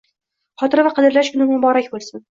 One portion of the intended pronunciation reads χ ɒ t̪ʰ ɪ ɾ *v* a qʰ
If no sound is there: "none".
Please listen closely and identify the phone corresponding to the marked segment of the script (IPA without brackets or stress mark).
v